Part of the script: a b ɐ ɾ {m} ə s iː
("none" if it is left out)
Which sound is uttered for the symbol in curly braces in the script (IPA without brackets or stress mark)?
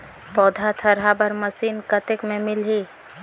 m